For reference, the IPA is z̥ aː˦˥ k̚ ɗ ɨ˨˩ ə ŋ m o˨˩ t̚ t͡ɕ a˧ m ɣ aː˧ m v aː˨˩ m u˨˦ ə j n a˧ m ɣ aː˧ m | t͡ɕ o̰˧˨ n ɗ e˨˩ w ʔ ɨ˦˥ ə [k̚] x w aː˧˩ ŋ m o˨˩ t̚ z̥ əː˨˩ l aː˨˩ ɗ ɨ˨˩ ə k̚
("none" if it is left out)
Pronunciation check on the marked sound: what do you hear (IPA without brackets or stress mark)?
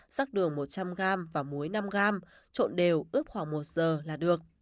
p̚